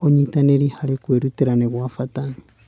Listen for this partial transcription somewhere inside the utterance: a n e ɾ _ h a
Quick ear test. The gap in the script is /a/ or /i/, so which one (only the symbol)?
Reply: i